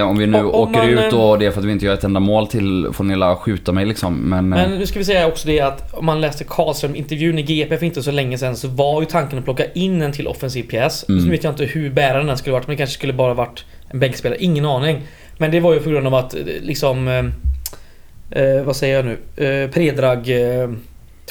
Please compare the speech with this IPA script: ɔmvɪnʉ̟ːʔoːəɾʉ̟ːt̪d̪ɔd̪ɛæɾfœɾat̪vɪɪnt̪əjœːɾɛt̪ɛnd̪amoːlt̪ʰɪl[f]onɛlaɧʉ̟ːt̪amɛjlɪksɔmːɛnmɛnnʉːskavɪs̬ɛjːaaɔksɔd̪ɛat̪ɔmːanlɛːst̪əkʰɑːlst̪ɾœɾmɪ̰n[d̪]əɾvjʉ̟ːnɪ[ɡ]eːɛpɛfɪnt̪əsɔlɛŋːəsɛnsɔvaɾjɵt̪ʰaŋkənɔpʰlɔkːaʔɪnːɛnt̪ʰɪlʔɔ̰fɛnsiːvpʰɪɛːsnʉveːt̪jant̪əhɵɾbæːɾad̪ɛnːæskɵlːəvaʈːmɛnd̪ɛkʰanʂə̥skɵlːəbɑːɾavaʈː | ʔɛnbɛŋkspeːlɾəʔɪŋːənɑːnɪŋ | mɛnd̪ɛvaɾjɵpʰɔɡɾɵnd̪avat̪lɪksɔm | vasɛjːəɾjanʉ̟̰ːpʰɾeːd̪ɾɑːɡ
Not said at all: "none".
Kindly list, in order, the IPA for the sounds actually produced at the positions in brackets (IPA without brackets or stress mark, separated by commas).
f, t̪, ɡ